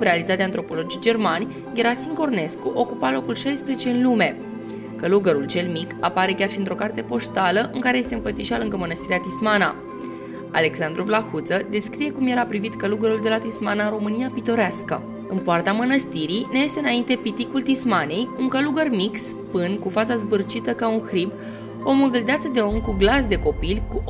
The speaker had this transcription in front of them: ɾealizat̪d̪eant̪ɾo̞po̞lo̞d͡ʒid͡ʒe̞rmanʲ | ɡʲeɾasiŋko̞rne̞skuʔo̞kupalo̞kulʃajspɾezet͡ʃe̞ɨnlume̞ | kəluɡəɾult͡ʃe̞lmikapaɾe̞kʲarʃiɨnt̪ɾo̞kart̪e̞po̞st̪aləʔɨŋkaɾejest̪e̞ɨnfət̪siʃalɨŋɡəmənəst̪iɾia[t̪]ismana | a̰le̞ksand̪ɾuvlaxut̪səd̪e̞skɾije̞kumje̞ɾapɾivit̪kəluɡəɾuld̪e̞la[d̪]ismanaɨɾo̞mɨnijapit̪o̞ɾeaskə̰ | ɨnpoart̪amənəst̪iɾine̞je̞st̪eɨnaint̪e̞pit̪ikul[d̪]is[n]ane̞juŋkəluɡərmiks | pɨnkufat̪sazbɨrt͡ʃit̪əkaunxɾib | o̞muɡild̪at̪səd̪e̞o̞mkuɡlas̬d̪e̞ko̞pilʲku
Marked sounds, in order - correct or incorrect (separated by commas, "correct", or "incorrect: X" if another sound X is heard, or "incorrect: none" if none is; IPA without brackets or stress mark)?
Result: correct, incorrect: t̪, incorrect: t̪, incorrect: m